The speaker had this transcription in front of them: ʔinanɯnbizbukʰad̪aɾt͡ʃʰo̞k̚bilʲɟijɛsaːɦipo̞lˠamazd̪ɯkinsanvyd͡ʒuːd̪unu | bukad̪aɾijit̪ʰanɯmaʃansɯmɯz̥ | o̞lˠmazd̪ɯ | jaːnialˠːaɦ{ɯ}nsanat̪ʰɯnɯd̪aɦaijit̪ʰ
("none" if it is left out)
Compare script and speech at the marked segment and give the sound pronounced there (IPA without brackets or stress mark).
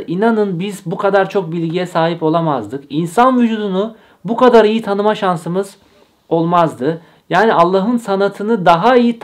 ɯ